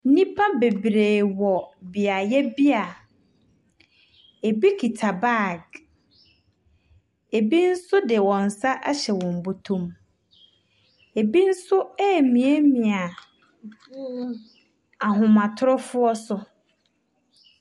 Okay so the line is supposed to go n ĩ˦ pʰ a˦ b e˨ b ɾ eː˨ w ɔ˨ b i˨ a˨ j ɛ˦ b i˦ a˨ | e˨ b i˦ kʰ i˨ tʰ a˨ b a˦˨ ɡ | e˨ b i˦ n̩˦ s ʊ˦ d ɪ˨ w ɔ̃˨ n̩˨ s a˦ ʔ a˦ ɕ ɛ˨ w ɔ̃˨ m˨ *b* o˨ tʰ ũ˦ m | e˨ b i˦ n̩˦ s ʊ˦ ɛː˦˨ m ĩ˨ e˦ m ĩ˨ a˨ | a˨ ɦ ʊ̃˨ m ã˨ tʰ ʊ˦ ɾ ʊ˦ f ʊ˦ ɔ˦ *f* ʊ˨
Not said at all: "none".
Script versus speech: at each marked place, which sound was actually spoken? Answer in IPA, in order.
b, s

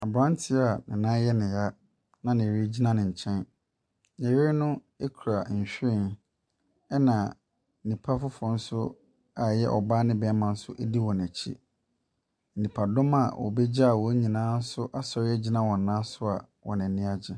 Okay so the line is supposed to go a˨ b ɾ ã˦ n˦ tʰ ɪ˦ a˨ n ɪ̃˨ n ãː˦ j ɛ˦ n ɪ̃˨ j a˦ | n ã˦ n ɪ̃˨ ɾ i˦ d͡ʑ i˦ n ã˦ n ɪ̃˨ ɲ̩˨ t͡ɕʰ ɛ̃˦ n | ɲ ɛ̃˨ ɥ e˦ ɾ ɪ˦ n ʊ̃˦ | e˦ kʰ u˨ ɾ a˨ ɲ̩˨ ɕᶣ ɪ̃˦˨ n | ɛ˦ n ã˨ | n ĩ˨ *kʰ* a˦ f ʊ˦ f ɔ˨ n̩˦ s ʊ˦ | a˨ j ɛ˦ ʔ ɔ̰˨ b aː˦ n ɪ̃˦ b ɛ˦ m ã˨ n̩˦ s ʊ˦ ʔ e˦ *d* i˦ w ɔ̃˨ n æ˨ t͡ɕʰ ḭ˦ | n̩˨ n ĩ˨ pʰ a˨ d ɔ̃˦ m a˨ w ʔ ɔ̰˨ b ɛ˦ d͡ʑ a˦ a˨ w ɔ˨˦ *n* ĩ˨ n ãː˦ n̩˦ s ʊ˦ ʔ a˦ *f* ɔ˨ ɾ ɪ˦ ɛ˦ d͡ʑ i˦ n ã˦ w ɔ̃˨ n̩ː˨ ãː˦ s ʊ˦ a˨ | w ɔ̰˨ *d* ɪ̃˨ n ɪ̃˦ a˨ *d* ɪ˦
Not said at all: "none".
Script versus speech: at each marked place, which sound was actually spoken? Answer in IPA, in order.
pʰ, d, ɲ, s, n, d͡ʑ

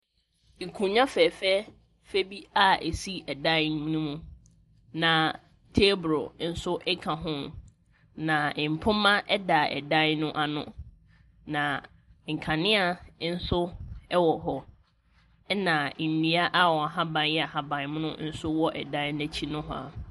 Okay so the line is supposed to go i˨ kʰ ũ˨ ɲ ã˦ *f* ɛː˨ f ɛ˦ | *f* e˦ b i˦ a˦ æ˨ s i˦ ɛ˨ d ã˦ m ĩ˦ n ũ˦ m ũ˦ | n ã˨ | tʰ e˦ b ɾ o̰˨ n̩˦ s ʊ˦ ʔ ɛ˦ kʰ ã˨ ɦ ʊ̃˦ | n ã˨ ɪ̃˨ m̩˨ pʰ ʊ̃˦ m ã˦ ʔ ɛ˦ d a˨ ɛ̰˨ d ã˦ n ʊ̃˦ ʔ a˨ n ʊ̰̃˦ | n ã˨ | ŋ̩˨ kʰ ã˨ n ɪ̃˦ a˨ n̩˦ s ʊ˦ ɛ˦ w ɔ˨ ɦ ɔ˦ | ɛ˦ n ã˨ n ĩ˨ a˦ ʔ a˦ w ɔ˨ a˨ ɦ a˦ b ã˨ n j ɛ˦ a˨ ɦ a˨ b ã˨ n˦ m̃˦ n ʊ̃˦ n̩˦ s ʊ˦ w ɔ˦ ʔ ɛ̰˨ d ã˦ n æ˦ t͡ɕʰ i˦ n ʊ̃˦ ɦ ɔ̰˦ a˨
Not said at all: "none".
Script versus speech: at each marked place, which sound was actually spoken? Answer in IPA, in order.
f, f

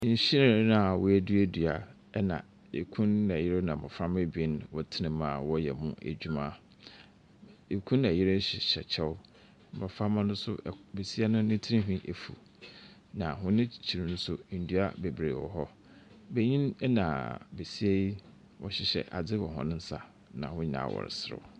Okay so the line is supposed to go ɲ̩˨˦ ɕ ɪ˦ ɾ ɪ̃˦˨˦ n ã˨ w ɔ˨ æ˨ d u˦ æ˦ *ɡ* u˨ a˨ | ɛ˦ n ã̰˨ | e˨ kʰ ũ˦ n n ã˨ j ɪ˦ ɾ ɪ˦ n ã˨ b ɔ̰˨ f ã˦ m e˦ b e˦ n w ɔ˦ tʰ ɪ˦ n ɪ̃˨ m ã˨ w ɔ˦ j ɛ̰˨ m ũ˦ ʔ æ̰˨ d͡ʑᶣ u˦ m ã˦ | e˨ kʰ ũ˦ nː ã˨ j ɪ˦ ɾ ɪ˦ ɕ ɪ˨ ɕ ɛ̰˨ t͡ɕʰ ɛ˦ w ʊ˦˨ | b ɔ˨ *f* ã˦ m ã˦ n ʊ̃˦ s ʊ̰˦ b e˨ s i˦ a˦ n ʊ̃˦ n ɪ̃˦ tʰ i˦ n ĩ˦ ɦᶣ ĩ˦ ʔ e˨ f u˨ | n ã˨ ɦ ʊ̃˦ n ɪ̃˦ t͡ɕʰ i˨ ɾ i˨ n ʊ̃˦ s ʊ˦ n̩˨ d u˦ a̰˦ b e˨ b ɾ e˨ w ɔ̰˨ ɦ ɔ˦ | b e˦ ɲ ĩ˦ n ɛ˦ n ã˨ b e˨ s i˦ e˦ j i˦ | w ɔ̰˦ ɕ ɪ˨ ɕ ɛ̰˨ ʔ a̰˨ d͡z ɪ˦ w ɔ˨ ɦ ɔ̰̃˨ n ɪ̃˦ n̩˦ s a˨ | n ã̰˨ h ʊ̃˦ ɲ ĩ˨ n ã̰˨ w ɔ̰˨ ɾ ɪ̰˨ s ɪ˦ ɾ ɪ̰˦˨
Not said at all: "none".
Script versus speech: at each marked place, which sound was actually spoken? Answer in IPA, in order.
d, f

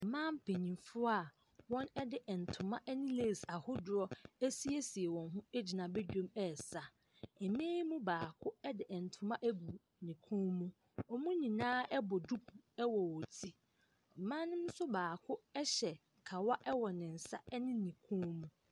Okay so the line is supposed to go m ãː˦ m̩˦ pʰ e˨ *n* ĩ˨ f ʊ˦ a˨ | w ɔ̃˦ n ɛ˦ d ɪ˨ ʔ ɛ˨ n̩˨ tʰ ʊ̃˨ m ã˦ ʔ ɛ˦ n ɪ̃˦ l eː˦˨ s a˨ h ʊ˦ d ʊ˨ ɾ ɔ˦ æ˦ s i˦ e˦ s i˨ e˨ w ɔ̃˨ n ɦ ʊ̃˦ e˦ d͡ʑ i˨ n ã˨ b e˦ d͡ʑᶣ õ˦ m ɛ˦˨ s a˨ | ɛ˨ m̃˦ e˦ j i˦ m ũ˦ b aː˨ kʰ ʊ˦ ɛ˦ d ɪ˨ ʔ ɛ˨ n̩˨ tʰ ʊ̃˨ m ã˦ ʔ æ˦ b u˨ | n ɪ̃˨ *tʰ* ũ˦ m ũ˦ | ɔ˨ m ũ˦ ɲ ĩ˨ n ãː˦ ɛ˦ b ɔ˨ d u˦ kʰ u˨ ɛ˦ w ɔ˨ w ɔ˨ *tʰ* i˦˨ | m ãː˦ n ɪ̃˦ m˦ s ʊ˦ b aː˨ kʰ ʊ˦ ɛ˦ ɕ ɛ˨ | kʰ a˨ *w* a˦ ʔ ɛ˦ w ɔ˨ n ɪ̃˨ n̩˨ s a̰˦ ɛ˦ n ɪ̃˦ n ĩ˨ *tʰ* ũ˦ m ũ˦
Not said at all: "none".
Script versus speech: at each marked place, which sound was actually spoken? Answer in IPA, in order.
ɲ, kʰ, tʰ, w, kʰ

